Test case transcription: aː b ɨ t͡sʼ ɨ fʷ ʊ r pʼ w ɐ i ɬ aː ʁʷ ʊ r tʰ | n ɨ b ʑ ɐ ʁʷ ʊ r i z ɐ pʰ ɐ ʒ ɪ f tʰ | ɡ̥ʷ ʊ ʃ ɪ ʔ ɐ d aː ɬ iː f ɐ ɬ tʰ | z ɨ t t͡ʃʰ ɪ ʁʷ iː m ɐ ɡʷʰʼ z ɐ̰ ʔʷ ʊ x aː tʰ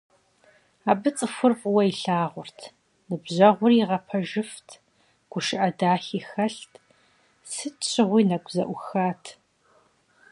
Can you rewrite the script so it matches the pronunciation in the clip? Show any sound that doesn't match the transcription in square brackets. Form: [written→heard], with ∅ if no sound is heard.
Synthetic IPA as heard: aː b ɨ t͡sʼ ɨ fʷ ʊ r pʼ w ɐ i ɬ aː ʁʷ ʊ r tʰ | n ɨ b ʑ ɐ ʁʷ ʊ r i [z→ʁ] ɐ pʰ ɐ ʒ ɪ f tʰ | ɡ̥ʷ ʊ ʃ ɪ ʔ ɐ d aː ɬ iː [f→x] ɐ ɬ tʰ | [z→s] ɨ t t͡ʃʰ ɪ ʁʷ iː [m→n] ɐ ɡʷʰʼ z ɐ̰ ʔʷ ʊ x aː tʰ